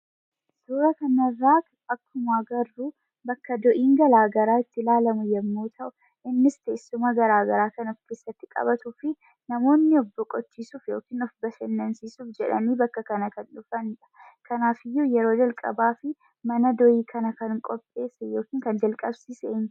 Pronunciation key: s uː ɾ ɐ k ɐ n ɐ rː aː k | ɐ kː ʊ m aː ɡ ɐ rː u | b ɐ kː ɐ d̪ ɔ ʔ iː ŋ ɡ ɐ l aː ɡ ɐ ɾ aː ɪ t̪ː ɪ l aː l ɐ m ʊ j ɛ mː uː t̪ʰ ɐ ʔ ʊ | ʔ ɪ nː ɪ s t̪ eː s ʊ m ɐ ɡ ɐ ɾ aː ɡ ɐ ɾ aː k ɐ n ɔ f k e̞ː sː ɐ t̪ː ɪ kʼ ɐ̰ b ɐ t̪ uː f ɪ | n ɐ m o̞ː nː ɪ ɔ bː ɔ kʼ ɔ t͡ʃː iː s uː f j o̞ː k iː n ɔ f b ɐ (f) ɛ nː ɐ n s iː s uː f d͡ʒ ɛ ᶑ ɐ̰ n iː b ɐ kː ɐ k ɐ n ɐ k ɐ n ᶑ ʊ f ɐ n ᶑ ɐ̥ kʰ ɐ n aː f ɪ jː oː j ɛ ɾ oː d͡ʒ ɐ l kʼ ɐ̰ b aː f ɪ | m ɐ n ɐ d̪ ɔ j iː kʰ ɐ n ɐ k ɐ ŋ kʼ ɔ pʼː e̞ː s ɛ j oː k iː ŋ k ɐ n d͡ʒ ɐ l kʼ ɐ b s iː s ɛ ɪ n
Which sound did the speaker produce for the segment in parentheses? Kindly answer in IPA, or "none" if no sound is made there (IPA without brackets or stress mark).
ʃ